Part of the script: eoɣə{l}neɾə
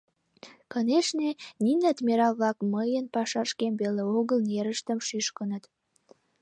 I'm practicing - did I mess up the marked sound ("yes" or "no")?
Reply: no